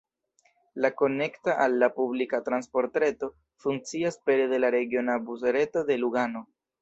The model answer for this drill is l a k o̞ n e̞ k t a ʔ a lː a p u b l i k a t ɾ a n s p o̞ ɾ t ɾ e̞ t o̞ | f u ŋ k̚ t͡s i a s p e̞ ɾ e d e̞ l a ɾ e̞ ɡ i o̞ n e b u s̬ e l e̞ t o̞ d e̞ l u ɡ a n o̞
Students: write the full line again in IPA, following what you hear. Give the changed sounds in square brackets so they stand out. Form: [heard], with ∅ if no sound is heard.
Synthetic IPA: l a k o̞ n e̞ k t a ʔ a lː a p u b l i k a t ɾ a n s p o̞ ɾ t ɾ e̞ t o̞ | f u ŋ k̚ t͡s i a s p e̞ ɾ e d e̞ l a ɾ e̞ ɡ i o̞ n [a] b u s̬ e [ɾ] e̞ t o̞ d e̞ l u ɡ a n o̞